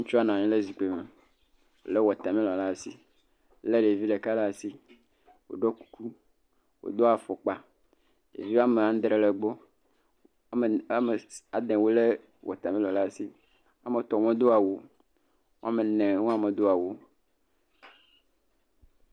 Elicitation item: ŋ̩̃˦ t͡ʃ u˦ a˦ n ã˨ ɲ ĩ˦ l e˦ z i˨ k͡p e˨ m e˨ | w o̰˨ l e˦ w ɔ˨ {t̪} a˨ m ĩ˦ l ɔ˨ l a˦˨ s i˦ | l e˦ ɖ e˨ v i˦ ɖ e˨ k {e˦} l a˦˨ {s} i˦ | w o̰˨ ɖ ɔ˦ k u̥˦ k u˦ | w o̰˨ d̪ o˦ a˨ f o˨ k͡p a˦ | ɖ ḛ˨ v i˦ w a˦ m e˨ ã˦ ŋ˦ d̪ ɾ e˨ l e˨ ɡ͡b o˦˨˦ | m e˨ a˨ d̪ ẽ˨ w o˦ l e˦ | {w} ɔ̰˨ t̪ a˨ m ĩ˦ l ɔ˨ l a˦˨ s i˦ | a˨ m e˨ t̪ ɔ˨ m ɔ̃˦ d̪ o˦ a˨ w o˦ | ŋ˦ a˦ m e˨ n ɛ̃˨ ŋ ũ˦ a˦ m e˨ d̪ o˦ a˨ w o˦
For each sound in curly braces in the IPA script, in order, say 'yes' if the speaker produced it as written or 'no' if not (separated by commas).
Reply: yes, no, yes, yes